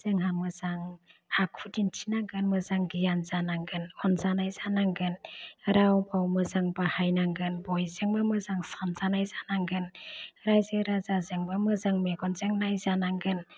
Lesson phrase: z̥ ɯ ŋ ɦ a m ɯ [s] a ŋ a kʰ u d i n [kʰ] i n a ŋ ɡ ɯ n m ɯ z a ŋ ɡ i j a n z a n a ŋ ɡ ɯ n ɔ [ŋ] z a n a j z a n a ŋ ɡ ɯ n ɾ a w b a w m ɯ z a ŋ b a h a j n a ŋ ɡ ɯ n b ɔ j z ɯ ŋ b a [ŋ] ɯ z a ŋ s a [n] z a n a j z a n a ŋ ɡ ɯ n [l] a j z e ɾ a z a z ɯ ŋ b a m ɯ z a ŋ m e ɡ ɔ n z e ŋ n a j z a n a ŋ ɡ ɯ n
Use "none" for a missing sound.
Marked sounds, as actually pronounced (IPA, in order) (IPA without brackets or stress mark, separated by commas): z, tʰ, n, m, n, ɾ